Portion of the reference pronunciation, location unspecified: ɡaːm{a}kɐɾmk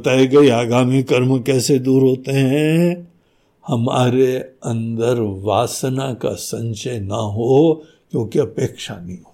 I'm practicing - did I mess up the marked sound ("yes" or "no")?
yes